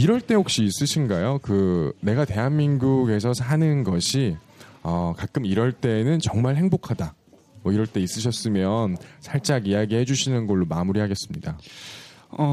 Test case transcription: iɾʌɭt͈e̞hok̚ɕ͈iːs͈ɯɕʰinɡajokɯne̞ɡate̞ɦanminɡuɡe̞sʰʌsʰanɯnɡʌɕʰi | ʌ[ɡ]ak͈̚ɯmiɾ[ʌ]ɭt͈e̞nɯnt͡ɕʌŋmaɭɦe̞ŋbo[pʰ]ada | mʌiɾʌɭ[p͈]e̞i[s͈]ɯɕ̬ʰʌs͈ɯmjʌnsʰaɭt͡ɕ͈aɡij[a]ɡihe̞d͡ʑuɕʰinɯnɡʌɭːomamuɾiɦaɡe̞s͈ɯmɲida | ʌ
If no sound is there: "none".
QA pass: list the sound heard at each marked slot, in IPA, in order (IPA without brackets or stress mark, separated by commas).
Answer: k, ʌ, kʰ, t͈, s͈, a